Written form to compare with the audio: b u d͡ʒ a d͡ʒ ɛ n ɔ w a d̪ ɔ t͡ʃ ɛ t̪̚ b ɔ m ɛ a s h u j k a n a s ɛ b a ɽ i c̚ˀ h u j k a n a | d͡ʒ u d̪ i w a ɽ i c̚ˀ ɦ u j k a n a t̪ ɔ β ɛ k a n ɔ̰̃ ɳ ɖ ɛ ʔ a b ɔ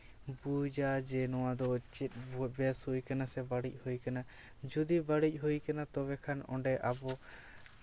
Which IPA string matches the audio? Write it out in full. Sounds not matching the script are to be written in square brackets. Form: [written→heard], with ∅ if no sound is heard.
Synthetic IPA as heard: b u d͡ʒ a d͡ʒ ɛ n ɔ w a d̪ ɔ t͡ʃ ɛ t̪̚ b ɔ [m→b] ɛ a s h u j k a n a s ɛ b a ɽ i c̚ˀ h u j k a n a | d͡ʒ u d̪ i [w→b] a ɽ i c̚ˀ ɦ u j k a n a t̪ ɔ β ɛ [k→kʰ] a n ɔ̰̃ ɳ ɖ ɛ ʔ a b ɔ